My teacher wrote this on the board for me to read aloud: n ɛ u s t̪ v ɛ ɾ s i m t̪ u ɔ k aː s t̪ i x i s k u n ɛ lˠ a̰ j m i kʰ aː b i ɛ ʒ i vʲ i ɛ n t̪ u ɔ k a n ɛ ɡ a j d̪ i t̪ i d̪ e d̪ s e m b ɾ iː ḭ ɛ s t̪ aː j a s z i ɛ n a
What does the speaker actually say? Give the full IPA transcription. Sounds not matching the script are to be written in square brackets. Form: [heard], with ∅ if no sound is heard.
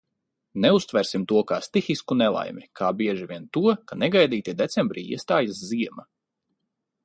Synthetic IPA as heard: n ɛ u s t̪ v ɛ ɾ s i m t̪ u ɔ k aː s t̪ i x i s k u n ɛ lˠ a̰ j m i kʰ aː b i ɛ ʒ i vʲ i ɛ n t̪ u ɔ k a n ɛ ɡ a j d̪ [iː] t̪ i d̪ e [t̪] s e m b ɾ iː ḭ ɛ s t̪ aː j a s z i ɛ [m] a

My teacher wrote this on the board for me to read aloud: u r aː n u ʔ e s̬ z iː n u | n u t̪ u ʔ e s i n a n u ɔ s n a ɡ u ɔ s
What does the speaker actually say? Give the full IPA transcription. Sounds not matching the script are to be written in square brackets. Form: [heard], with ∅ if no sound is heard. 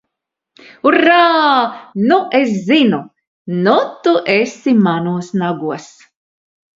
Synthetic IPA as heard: u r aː n u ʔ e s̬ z [i] n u | n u t̪ u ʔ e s i [m] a n u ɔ s n a ɡ u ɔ s

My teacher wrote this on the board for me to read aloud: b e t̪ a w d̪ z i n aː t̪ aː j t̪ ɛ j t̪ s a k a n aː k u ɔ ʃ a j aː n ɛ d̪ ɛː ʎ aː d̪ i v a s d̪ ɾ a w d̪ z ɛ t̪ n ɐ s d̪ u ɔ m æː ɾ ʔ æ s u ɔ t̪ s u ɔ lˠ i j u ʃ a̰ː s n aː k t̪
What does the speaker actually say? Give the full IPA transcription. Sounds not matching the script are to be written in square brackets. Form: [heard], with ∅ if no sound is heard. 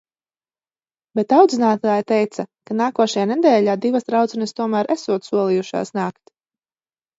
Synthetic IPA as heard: b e t̪ a w d̪ z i n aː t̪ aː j t̪ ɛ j t̪ s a k a n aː k u ɔ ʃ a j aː n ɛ d̪ ɛː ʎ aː d̪ i v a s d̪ ɾ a w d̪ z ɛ [∅] n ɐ s [t̪] u ɔ m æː ɾ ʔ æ s u ɔ t̪ s u ɔ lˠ i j u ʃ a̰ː s n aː k t̪

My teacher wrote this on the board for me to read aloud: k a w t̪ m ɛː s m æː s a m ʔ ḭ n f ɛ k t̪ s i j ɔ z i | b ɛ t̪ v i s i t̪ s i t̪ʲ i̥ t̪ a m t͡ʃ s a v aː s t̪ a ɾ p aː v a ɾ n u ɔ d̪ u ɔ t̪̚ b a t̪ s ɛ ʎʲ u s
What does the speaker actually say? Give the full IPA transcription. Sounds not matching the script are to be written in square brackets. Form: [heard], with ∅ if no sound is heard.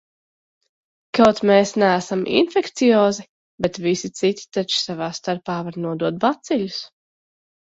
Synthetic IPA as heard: k a w t̪ m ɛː s [n] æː s a m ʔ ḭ n f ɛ k t̪ s i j [ɔː] z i | b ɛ t̪ v i s i t̪ s i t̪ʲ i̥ t̪ a [∅] t͡ʃ s a v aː s t̪ a ɾ p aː v a ɾ n u ɔ d̪ u ɔ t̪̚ b a t̪ s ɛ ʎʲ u s

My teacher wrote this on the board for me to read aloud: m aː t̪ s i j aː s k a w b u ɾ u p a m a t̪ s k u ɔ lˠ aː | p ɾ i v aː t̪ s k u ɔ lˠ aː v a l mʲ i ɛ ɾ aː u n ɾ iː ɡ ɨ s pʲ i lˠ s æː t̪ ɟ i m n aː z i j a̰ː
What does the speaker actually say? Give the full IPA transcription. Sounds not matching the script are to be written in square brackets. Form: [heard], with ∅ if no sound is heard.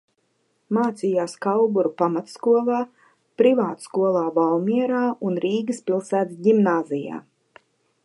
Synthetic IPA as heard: m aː t̪ s i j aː s k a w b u ɾ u p a m a t̪ s k u ɔ lˠ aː | p ɾ i v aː t̪ s k u ɔ lˠ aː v a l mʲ i ɛ ɾ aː u n ɾ iː ɡ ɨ s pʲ i lˠ s æː t̪ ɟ i m n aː z i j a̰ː

